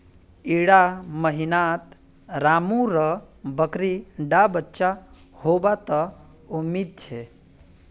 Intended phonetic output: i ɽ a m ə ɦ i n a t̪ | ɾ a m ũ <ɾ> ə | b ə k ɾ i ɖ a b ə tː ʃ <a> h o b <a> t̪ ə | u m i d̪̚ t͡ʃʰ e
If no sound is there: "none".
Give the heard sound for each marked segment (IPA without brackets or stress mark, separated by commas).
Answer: ɾ, a, a